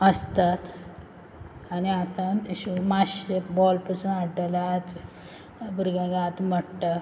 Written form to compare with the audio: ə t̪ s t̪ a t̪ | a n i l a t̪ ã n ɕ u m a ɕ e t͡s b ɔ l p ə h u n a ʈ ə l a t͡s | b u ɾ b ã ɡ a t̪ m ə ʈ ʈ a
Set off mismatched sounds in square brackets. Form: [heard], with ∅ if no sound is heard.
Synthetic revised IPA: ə [∅] s t̪ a t̪ | a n i [∅] a t̪ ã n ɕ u m a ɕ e [∅] b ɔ l p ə [s] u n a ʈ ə l a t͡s | b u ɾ [ɡ] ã ɡ a t̪ m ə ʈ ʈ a